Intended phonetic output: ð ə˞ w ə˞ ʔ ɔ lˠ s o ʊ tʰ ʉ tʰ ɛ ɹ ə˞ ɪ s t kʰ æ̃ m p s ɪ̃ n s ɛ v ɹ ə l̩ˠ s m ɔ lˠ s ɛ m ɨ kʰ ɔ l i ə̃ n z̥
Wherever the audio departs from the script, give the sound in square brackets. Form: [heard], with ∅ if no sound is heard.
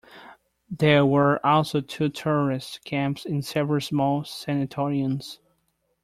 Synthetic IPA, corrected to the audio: ð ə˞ w ə˞ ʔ ɔ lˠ s o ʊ tʰ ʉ tʰ ɛ ɹ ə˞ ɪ s t kʰ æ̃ m p s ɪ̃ n s ɛ v ɹ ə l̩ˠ s m ɔ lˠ s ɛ [n] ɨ [tʰ] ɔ [ɹ] i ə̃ n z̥

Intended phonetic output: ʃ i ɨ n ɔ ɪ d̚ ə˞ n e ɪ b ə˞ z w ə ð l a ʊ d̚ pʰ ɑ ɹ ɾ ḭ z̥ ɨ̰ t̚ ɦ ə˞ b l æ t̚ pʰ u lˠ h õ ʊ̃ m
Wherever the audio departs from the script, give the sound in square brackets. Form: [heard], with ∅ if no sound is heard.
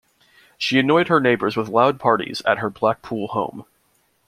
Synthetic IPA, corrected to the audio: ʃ i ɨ n ɔ ɪ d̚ ə˞ n e ɪ b ə˞ z w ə ð l a ʊ d̚ pʰ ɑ ɹ ɾ ḭ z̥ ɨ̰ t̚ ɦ ə˞ b l æ [k̚] pʰ u lˠ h õ ʊ̃ m

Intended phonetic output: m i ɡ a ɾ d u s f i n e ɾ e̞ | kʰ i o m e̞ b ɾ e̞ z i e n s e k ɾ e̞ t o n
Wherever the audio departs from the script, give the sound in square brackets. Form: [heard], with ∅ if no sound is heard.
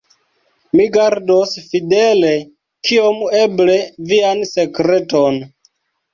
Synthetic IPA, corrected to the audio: m i ɡ a ɾ d [o] s f i [d] e [l] e̞ | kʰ i o m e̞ b [l] e̞ [v] i [a] n s e k ɾ e̞ t o n

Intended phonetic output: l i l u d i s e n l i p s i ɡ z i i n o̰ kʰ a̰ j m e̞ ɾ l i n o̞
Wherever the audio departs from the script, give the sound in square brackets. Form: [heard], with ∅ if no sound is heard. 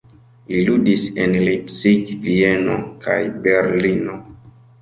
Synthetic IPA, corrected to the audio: l i l u d i s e n l i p s i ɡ [v] i [e] n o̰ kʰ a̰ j [b] e̞ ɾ l i n o̞

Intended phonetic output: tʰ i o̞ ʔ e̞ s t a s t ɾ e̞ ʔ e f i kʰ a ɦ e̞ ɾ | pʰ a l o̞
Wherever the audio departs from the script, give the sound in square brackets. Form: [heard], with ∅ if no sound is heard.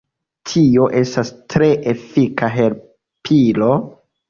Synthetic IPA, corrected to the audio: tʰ i o̞ ʔ e̞ s t a s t ɾ e̞ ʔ e f i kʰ a ɦ e̞ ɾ | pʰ [i] l o̞

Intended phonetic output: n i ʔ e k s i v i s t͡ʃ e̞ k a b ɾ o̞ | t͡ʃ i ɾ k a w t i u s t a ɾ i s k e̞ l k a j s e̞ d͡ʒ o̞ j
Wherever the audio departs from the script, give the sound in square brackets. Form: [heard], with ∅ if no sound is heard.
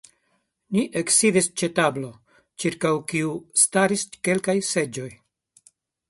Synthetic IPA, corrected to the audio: n i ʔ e k s i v i s t͡ʃ e̞ [t] a b [l] o̞ | t͡ʃ i ɾ k a w [k] i u s t a ɾ i s k e̞ l k a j s e̞ d͡ʒ o̞ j

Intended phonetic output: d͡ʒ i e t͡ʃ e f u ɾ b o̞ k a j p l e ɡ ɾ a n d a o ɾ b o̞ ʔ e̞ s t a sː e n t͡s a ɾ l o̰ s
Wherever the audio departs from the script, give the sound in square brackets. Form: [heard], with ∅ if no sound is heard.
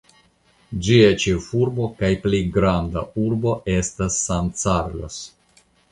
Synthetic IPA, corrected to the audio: d͡ʒ i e t͡ʃ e f u ɾ b o̞ k a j p l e ɡ ɾ a n d a [u] ɾ b o̞ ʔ e̞ s t a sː [a] n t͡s a ɾ l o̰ s

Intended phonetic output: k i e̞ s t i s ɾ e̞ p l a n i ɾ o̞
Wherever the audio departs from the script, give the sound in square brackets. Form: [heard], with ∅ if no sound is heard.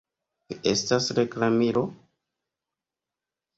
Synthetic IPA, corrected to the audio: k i e̞ s t [a] s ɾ e̞ [k] l a [m] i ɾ o̞

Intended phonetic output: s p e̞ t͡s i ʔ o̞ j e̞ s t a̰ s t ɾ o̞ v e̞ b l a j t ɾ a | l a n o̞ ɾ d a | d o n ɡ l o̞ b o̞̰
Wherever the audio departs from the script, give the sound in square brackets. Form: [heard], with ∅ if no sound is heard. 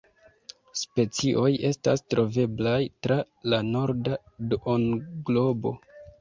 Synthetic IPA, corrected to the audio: s p e̞ t͡s i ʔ o̞ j e̞ s t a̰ s t ɾ o̞ v e̞ b l a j t ɾ a | l a n o̞ ɾ d a | d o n ɡ l o̞ b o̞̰

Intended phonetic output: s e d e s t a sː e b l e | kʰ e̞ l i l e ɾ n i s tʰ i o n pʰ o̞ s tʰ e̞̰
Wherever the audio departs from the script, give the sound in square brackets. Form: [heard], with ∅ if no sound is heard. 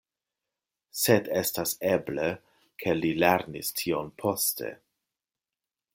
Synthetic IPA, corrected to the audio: s e d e s t a [s] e b l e | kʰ e̞ l i l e ɾ n i s tʰ i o n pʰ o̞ s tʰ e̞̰

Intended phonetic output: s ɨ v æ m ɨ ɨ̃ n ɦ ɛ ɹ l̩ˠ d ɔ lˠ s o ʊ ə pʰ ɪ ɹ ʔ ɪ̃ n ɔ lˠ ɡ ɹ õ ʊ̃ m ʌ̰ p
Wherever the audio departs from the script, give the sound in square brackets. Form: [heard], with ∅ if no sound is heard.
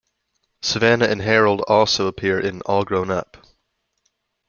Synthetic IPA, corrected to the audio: s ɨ v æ [n] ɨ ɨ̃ n ɦ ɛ ɹ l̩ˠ d ɔ lˠ s o ʊ ə pʰ ɪ ɹ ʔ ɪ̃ n ɔ lˠ ɡ ɹ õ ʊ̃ [n] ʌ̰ p

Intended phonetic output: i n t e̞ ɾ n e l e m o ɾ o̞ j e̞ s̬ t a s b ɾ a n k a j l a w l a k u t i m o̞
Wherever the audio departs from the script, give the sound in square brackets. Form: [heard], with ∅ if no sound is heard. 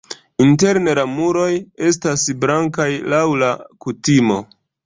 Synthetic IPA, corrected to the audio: i n t e̞ ɾ n e l [a] m [u] ɾ o̞ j e̞ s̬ t a s b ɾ a [ŋ] k a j l a w l a k u t i m o̞

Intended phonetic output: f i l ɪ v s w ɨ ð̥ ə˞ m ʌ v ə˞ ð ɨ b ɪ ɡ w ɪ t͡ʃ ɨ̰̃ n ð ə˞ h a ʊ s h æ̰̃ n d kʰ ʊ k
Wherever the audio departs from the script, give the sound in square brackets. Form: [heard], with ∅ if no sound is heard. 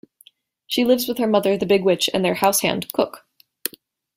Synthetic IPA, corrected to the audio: [ʃ] i l ɪ v [z] w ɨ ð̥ ə˞ m ʌ [ð] ə˞ ð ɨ b ɪ ɡ w ɪ t͡ʃ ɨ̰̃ n ð ə˞ h a ʊ s h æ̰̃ n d kʰ ʊ k

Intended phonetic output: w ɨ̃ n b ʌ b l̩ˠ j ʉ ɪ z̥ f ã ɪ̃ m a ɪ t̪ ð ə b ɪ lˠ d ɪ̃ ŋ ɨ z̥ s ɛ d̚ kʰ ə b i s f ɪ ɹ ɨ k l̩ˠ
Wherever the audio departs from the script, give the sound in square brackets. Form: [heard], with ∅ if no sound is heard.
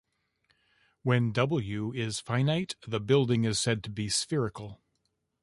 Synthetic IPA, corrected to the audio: w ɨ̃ n [d] ʌ b l̩ˠ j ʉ ɪ z̥ f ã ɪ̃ [n] a ɪ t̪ ð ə b ɪ lˠ d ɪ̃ ŋ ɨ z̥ s ɛ d̚ [tʰ] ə b i s f ɪ ɹ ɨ k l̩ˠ

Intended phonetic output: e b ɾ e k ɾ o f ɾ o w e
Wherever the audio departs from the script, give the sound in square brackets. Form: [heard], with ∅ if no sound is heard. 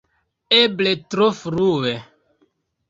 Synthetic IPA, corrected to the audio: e b [l] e [t] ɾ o f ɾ [u] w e

